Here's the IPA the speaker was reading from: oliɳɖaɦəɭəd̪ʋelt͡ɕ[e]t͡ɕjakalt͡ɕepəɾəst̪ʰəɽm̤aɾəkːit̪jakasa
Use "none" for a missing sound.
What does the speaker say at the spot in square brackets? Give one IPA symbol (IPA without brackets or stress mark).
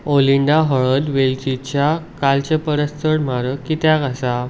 i